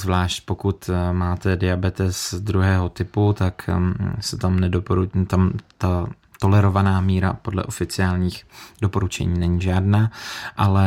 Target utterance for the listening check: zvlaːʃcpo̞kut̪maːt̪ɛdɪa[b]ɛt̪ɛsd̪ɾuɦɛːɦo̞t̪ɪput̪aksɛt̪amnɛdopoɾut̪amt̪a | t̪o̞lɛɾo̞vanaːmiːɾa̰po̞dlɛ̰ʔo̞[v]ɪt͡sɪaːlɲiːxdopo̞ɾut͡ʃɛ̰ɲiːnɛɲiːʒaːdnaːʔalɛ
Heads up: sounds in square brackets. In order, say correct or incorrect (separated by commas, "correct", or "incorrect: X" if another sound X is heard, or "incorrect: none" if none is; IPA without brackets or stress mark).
correct, incorrect: f